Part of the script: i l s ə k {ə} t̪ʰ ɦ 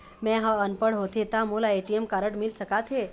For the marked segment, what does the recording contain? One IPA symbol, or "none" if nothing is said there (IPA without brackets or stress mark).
a